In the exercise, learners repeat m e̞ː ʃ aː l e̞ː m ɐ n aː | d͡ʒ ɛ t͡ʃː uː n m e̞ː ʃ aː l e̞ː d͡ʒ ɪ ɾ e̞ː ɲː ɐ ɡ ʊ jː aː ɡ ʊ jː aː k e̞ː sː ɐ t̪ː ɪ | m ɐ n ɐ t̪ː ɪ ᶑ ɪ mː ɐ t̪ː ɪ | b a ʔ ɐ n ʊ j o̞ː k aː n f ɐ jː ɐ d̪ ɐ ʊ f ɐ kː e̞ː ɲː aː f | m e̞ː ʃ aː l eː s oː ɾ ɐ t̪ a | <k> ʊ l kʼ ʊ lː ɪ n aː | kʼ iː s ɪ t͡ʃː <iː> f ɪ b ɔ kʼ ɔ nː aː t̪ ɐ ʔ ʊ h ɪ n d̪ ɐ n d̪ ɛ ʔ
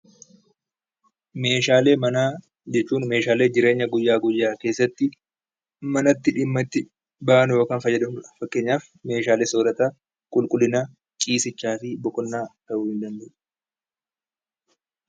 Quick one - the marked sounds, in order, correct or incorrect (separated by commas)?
incorrect, incorrect